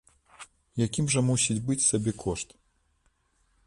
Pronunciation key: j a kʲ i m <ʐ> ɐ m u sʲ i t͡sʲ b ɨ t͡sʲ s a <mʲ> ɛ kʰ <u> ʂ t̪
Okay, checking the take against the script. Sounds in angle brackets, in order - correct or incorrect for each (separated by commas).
correct, incorrect, incorrect